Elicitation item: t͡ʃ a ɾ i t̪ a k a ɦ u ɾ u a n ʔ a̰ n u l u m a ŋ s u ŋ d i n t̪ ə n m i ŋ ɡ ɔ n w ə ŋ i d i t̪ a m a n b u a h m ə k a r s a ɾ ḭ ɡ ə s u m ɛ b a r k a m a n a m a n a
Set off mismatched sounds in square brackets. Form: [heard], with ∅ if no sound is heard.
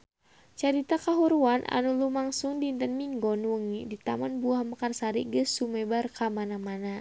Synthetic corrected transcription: t͡ʃ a ɾ i t̪ a k a ɦ u ɾ u a n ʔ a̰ n u l u m a ŋ s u ŋ d i n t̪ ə n m i ŋ ɡ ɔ n w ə ŋ i d i t̪ a m a n b u a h m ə k a r s a ɾ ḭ ɡ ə s u m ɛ b a r k a m a n a m a n a